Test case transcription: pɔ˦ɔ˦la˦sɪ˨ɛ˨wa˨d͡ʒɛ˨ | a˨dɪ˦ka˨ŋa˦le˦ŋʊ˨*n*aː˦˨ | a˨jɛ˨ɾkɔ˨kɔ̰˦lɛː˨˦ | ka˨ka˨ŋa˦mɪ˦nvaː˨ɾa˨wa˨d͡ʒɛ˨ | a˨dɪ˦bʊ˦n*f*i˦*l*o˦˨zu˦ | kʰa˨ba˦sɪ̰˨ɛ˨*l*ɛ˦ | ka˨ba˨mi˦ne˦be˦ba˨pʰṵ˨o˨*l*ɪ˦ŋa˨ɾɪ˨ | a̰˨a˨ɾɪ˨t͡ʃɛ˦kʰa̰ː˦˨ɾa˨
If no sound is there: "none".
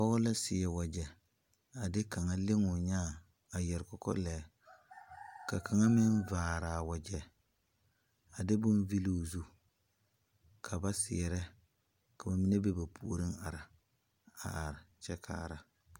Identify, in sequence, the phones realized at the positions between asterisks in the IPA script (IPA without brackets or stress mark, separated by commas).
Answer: ɲ, v, l, ɾ, ɾ